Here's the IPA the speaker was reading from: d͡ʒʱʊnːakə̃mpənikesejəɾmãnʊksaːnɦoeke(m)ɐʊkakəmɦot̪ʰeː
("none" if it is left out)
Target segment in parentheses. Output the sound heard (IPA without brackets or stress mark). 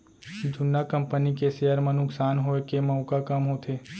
m